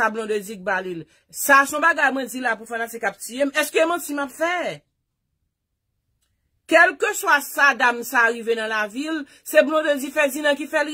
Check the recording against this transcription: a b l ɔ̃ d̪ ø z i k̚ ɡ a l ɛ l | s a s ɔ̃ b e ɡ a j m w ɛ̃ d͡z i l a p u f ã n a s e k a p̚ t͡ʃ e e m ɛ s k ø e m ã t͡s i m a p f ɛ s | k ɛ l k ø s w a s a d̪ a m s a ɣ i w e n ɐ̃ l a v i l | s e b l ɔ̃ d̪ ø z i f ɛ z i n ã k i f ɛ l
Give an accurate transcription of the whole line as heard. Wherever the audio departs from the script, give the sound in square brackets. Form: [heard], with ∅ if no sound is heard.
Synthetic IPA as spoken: a b l ɔ̃ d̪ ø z i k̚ [b] a l [i] l | s a s ɔ̃ b [a] ɡ a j m w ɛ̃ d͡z i l a p u f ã n a s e k a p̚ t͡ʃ [i] e m ɛ s k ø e m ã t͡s i m a p f ɛ [∅] | k ɛ l k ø s w a s a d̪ a m s a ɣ i [v] e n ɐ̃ l a v i l | s e b l ɔ̃ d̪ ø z i f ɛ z i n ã k i f ɛ l